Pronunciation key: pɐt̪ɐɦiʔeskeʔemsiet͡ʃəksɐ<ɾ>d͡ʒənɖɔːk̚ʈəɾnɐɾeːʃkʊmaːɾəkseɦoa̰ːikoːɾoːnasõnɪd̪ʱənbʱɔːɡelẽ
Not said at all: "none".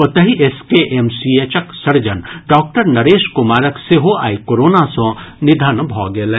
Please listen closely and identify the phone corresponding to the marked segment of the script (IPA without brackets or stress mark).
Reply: ɾ